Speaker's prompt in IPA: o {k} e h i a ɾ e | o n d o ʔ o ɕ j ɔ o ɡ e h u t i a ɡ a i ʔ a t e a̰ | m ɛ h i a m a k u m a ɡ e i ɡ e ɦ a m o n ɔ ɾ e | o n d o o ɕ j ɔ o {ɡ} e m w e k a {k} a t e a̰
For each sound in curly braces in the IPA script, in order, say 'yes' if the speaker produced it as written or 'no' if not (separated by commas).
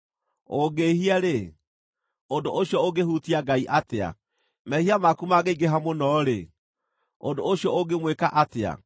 no, yes, no